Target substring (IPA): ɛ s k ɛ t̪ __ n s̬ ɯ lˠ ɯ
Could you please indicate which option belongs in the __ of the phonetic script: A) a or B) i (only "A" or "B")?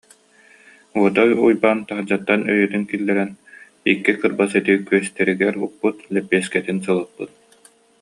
B